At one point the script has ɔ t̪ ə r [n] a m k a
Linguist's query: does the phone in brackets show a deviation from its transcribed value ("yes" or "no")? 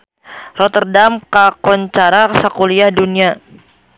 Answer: yes